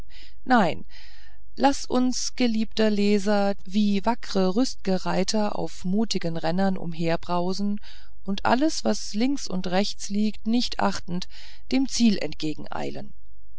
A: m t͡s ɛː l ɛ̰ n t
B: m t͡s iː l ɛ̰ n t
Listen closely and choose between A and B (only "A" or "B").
B